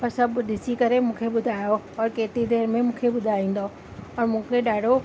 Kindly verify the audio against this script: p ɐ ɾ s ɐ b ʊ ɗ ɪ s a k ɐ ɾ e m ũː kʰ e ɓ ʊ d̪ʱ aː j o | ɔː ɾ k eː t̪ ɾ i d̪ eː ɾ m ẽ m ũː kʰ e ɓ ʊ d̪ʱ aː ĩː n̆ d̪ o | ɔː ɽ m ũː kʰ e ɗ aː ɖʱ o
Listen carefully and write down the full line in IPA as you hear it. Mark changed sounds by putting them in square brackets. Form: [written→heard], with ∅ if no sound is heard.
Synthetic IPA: p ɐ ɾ s ɐ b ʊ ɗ ɪ s [a→i] k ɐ ɾ e m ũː kʰ e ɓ ʊ d̪ʱ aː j o | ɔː ɾ k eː t̪ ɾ i d̪ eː ɾ m ẽ m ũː kʰ e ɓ ʊ d̪ʱ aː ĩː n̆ d̪ o | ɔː [ɽ→ɾ] m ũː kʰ e ɗ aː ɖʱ o